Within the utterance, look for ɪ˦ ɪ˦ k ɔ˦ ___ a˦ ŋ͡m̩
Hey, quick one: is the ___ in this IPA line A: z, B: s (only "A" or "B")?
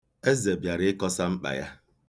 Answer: B